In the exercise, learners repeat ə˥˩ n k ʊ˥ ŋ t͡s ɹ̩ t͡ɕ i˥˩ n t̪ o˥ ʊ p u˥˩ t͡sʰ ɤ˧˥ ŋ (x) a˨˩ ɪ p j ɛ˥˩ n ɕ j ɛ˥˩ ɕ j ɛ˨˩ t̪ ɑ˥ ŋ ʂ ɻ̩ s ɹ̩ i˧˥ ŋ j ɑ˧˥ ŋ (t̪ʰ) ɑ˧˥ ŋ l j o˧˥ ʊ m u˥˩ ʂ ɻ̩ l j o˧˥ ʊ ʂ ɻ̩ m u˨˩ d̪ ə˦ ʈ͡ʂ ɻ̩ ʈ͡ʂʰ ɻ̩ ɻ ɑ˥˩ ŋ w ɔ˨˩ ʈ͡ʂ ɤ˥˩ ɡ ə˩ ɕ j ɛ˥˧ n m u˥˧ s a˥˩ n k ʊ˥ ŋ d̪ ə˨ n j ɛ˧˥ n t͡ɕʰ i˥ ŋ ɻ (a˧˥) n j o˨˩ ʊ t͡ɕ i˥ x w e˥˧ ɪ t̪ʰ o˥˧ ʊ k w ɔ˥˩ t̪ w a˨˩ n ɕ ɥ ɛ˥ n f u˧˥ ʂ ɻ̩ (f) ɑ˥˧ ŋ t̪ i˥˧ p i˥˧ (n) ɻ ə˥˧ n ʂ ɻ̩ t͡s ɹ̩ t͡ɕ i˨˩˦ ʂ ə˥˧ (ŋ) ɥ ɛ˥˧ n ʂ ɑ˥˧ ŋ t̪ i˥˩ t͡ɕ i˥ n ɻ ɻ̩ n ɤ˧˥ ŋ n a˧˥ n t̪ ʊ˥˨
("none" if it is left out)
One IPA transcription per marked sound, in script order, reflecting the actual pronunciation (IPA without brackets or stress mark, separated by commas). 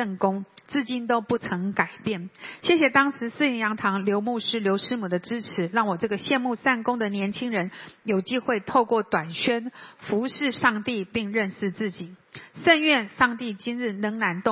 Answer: k, t̪ʰ, ə˧˥, ʂ, ŋ, n